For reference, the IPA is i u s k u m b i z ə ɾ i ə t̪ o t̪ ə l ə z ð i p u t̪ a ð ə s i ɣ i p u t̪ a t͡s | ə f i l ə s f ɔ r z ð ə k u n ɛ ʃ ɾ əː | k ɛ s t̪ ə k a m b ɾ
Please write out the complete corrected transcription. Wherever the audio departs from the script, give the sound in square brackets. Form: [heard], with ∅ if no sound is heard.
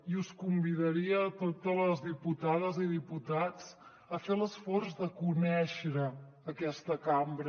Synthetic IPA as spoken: i u s k u m b i [ð] ə ɾ i ə t̪ o t̪ ə l ə z ð i p u t̪ a ð ə [z] i [ð] i p u t̪ a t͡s | ə f [e] l ə s f ɔ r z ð ə k u n ɛ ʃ ɾ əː | k ɛ s t̪ ə k a m b ɾ